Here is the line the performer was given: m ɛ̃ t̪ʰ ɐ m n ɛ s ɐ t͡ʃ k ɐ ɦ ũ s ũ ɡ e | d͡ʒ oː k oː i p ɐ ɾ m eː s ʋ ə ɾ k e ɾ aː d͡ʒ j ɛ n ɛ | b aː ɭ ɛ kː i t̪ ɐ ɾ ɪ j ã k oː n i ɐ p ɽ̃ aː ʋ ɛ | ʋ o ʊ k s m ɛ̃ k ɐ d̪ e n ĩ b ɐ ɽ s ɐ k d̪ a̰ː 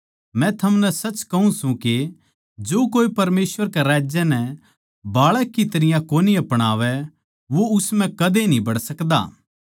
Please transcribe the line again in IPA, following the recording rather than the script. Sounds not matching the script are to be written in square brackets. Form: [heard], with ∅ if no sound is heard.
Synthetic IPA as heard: m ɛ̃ t̪ʰ ɐ m n ɛ s ɐ t͡ʃ k ɐ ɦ ũ s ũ [k] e | d͡ʒ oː k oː i p ɐ ɾ m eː s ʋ ə ɾ k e ɾ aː d͡ʒ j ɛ n ɛ | b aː ɭ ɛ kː i t̪ ɐ ɾ ɪ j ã k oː n i ɐ p ɽ̃ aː ʋ ɛ | ʋ o ʊ [∅] s m ɛ̃ k ɐ d̪ e n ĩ b ɐ ɽ s ɐ k d̪ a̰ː